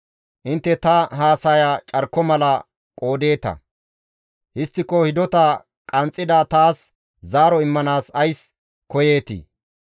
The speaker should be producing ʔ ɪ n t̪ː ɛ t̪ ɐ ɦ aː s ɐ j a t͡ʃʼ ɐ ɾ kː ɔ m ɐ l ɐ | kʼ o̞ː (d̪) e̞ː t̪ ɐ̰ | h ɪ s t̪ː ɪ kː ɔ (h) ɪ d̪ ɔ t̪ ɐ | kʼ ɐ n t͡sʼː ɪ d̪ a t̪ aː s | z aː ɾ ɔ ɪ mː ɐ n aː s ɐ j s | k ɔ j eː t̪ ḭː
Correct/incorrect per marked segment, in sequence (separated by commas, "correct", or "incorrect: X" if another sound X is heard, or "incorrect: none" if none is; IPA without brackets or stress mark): correct, correct